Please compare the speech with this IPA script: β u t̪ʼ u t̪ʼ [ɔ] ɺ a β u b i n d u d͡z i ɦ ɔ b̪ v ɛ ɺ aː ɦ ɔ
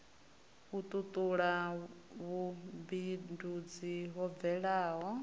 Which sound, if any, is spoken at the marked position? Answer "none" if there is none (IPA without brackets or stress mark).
u